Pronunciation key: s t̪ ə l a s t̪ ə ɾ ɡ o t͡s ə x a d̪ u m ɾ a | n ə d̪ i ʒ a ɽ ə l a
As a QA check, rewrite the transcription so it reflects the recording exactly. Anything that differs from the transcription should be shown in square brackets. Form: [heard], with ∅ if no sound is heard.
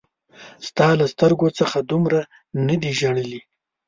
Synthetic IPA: s t̪ [ɑ] l a s t̪ ə ɾ ɡ o t͡s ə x a d̪ u m ɾ a | n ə d̪ i ʒ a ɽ ə l [i]